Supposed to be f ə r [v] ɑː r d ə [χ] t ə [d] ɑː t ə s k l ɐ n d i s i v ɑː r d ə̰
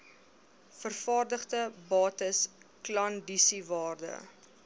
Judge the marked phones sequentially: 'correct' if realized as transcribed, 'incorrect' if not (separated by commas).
incorrect, correct, incorrect